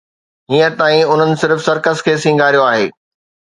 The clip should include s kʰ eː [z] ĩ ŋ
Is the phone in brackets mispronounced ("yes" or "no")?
yes